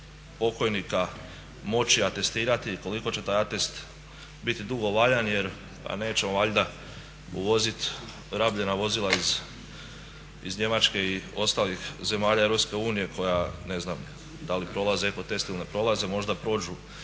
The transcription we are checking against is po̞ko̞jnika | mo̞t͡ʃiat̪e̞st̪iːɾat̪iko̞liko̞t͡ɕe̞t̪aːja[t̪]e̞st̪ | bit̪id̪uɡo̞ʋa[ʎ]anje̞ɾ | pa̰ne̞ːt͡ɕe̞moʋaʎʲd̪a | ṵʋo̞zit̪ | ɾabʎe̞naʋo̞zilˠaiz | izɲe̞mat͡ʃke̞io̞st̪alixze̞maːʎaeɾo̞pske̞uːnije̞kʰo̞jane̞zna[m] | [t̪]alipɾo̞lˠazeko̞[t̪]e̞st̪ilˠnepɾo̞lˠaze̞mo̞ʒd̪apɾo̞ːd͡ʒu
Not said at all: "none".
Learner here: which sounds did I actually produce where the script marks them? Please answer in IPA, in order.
t̪, ʎ, m, d̪, t̪

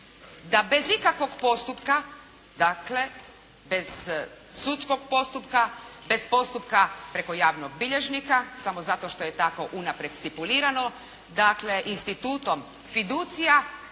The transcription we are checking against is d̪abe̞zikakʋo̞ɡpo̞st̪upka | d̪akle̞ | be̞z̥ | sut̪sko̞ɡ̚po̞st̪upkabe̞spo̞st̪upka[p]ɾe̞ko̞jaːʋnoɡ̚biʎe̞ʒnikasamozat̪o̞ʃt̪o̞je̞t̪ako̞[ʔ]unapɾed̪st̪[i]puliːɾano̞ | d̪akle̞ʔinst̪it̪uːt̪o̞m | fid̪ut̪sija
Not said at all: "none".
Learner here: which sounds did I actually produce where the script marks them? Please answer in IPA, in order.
p, ʔ, i

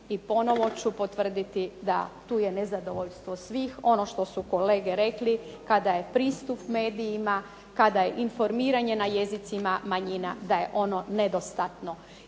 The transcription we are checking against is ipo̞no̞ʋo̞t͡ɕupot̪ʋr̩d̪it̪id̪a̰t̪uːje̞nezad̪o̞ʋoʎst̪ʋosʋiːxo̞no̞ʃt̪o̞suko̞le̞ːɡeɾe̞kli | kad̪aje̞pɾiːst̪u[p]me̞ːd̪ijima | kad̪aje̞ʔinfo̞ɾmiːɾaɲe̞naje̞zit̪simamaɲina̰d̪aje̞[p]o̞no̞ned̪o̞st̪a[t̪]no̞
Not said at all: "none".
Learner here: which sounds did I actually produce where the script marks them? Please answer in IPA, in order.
p, ʔ, t̪

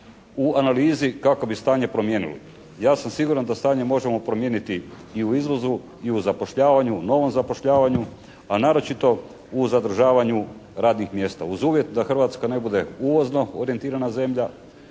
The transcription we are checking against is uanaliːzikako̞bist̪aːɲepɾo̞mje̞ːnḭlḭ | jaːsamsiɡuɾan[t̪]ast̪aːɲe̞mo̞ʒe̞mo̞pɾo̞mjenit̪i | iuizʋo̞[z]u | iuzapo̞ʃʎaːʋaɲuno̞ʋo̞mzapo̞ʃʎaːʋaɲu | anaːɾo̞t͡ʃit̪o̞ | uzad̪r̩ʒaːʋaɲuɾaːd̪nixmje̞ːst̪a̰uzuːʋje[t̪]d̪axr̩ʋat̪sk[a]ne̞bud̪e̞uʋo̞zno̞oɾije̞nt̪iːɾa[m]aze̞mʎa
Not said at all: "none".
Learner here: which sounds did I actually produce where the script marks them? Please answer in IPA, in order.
d̪, z, t̪, a, n

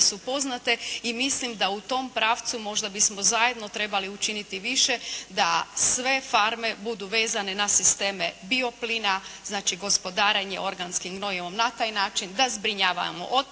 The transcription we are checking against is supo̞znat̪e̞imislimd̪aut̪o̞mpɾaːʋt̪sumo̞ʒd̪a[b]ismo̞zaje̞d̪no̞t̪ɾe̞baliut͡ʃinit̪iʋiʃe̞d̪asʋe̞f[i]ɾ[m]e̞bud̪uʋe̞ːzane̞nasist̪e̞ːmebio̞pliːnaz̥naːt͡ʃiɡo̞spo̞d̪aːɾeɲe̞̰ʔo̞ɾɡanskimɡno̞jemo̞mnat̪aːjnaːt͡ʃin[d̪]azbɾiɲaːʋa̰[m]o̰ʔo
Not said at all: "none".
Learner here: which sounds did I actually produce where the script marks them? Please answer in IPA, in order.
b, a, m, d̪, m

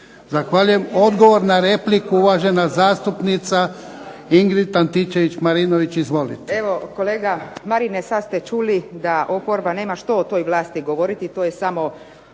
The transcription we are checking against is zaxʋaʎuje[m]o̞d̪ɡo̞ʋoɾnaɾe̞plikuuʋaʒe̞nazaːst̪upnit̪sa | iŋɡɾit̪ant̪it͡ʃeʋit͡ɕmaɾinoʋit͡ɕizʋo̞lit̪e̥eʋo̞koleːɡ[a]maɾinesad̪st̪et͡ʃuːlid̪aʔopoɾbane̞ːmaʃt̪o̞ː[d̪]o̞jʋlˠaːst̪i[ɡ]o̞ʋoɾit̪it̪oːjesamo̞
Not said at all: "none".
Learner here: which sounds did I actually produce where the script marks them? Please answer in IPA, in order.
m, a, t̪, ɡ

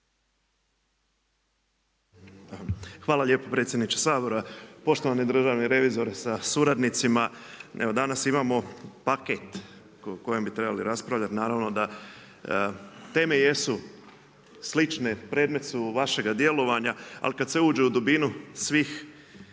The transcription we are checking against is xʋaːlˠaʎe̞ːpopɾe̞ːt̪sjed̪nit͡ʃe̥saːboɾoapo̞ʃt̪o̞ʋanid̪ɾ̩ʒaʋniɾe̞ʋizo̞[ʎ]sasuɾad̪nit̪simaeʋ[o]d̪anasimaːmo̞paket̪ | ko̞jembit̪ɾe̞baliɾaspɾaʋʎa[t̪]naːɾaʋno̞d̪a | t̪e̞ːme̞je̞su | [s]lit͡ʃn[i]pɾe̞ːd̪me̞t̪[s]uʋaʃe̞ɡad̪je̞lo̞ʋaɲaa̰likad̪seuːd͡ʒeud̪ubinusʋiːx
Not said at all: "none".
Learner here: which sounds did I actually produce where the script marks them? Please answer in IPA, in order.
ɾ, o, t̪, s, e, s

